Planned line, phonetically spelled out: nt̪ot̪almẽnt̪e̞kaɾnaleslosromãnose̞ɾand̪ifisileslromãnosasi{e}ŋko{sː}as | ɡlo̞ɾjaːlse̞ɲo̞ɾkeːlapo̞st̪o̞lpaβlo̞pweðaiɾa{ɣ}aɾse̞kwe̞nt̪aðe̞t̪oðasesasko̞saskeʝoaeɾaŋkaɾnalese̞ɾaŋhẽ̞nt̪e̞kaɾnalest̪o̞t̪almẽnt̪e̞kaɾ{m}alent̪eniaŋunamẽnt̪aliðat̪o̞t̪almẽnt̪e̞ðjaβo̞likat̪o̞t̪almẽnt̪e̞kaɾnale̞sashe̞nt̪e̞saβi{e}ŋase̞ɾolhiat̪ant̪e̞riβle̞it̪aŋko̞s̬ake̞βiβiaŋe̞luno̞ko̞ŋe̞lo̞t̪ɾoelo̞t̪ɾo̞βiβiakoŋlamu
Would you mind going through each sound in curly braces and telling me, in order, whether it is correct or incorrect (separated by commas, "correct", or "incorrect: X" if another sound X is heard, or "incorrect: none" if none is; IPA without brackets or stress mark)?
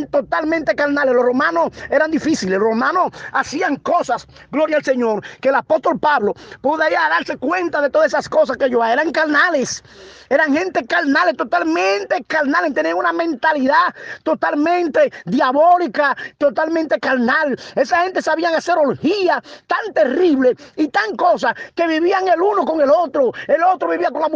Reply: incorrect: a, incorrect: s, incorrect: ð, incorrect: n, incorrect: a